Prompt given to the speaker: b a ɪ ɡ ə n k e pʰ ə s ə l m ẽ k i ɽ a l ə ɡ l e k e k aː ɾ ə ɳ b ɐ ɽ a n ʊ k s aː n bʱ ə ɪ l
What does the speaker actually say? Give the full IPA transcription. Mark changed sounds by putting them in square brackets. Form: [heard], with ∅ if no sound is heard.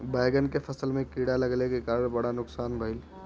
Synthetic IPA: b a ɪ ɡ ə n k e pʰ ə s ə l m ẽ k i ɽ a l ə ɡ l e k e k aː ɾ ə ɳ b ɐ ɽ a n ʊ k s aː n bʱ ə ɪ l